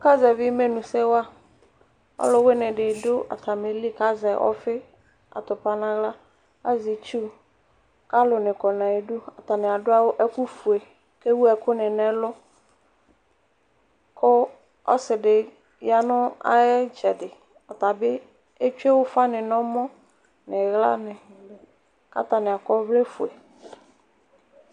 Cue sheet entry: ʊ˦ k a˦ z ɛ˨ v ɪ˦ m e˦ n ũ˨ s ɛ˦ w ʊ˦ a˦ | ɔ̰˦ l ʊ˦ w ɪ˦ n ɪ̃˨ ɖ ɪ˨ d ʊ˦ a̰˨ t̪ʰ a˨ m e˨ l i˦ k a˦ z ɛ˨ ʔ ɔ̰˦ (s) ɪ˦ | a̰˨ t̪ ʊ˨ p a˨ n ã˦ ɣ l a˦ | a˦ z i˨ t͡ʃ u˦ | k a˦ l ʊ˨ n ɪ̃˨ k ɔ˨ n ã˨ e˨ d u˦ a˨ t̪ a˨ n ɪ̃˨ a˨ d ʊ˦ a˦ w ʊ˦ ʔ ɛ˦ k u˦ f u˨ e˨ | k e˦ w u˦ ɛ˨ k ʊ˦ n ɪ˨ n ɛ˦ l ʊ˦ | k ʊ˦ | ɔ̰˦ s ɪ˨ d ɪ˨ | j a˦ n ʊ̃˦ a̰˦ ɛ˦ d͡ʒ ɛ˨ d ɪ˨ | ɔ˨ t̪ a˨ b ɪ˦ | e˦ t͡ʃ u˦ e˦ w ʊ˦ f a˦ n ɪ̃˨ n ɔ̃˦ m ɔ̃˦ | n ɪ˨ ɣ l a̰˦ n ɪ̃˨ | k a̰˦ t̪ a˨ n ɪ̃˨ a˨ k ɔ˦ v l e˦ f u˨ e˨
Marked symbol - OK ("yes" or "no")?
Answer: no